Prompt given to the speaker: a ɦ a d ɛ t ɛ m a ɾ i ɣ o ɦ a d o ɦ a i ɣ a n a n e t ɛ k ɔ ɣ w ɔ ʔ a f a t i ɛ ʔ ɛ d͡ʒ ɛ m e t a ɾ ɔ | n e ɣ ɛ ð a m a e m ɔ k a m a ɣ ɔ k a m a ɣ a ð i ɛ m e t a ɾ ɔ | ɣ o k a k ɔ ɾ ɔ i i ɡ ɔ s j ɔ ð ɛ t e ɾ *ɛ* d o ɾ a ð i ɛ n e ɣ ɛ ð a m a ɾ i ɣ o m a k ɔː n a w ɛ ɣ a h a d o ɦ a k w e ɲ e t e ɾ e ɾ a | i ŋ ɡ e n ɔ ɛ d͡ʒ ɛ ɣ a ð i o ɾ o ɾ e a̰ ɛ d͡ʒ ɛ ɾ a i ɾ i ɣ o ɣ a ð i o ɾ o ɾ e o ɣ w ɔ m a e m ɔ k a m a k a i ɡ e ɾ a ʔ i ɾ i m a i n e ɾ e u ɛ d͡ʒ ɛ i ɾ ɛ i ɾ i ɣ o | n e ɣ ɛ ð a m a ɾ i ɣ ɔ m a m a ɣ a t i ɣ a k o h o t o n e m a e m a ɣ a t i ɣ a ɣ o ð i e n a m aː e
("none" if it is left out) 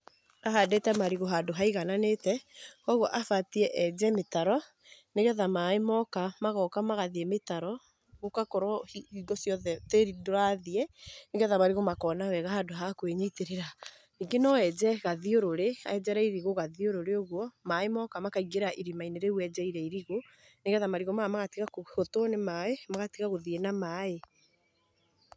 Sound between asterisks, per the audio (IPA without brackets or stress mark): i